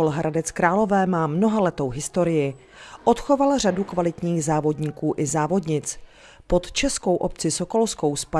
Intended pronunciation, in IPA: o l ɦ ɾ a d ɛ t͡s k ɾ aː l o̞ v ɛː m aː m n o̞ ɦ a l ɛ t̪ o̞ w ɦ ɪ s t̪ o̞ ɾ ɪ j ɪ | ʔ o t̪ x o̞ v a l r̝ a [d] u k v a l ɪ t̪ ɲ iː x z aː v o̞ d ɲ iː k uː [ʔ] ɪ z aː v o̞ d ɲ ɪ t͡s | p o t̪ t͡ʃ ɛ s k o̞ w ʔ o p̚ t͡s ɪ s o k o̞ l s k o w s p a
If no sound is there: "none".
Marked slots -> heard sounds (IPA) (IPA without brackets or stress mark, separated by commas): d, ʔ